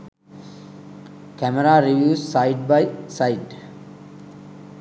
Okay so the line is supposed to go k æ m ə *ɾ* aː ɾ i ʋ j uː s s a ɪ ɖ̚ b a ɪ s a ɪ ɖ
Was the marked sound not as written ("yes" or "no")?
no